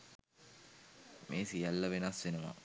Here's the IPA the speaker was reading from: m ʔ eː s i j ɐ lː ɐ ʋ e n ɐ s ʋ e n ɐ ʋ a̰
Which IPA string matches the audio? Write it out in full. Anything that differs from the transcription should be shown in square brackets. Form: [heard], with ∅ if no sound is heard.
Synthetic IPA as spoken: m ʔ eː s i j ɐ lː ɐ ʋ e n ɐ s ʋ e n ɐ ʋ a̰